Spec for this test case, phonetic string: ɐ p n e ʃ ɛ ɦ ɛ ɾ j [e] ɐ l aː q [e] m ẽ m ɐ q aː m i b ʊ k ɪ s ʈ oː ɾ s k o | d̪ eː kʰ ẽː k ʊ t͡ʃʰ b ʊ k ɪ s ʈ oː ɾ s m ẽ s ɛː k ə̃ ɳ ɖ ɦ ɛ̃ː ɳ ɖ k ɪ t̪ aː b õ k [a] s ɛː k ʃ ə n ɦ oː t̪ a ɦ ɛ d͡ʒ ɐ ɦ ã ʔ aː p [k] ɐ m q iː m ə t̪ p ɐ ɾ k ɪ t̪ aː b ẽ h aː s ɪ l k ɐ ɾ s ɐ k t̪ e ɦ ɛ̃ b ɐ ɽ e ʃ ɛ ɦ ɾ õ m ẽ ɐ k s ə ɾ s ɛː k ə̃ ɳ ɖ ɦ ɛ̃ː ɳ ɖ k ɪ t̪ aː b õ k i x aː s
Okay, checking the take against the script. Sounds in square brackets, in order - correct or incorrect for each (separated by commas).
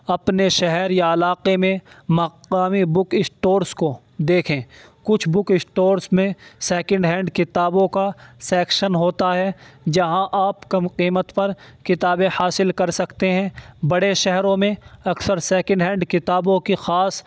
incorrect, correct, correct, correct